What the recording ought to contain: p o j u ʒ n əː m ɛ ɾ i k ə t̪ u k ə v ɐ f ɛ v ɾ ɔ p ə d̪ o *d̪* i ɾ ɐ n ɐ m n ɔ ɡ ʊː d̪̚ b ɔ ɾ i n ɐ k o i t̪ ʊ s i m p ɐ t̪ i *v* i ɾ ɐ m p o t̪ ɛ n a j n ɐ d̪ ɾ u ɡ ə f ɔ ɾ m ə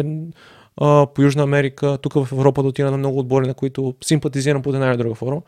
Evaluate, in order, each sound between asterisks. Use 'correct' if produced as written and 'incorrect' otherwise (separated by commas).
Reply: incorrect, incorrect